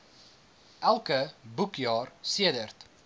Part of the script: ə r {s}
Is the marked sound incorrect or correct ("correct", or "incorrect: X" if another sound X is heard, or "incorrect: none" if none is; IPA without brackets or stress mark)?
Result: incorrect: t